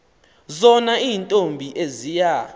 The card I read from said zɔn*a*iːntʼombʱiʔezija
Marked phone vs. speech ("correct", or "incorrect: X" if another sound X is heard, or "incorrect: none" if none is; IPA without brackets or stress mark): correct